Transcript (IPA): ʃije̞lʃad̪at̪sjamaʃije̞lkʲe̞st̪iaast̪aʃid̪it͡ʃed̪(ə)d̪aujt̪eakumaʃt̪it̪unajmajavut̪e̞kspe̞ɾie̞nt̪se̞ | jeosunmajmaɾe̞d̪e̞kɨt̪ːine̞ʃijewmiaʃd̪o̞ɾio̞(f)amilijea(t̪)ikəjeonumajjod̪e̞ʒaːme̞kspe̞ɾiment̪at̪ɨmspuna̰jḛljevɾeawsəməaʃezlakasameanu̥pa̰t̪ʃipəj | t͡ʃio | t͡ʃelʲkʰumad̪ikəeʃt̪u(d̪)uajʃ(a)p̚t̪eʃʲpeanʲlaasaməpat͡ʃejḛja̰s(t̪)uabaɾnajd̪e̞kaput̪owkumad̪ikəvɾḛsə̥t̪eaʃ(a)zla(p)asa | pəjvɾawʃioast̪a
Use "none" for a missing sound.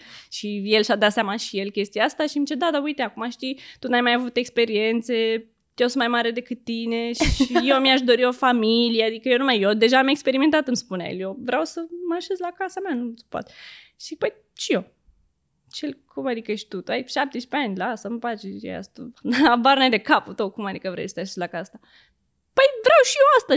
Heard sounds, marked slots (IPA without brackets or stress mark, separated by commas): a, f, d̪, t̪, a, t̪, e, k